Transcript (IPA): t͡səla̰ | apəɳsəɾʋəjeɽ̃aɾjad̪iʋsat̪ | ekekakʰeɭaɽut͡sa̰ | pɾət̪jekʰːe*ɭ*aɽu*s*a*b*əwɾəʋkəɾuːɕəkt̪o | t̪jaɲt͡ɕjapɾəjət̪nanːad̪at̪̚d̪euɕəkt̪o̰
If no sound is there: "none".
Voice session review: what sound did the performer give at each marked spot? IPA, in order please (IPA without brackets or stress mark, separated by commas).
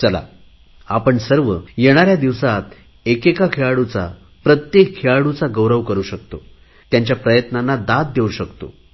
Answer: ɭ, t͡s, ɡ